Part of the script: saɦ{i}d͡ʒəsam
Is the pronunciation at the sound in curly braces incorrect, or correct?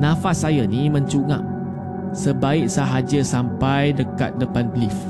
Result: incorrect